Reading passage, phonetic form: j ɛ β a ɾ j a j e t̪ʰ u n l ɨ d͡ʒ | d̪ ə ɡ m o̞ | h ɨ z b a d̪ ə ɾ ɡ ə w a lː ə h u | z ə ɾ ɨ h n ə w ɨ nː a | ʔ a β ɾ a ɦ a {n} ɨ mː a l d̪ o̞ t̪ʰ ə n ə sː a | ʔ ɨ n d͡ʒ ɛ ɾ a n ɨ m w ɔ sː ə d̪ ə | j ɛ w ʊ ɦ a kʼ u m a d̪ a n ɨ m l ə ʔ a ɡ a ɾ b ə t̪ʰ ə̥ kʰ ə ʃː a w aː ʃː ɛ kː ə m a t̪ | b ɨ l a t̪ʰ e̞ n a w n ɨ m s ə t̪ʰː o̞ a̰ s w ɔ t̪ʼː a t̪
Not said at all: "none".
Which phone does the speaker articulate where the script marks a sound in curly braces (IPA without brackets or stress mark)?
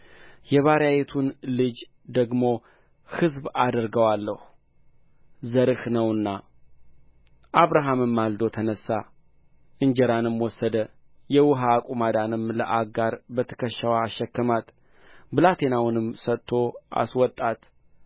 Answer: m